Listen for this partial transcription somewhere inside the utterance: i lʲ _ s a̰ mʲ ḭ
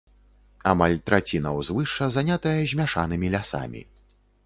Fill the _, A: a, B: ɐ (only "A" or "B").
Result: A